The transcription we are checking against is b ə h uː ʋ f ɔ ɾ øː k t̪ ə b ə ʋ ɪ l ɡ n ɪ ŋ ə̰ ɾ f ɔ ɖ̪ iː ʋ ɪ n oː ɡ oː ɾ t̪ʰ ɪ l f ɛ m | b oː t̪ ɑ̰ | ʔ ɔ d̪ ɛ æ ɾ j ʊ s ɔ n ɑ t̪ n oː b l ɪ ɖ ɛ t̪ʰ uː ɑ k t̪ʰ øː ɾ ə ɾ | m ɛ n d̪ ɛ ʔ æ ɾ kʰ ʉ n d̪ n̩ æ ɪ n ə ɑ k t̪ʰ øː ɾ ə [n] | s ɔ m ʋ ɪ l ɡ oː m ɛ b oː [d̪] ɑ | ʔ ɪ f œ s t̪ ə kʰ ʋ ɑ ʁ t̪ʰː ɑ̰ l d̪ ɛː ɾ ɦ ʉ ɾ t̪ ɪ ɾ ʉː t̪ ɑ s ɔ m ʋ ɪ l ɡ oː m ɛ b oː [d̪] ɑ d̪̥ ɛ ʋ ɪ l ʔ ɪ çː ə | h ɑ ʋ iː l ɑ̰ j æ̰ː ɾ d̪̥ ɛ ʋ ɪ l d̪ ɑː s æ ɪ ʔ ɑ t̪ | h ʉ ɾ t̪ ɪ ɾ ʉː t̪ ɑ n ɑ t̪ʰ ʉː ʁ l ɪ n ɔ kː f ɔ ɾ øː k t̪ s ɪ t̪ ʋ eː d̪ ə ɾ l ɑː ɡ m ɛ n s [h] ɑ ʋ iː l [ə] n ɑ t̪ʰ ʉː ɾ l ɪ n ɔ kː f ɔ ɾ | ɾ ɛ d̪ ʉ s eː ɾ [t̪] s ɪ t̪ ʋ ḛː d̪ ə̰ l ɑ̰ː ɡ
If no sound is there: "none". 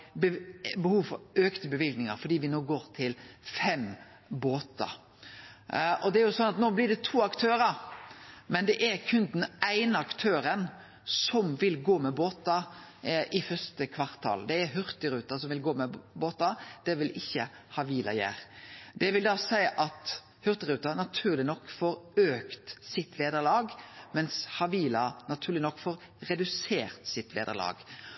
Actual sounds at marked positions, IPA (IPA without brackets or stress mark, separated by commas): n, t̪, t̪, h, ɑ, t̪